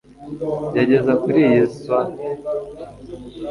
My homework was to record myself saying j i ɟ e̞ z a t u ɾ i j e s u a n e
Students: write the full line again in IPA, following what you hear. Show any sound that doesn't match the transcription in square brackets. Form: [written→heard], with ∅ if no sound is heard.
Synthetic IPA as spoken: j [i→a] ɟ e̞ z a [t→k] u ɾ i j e s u a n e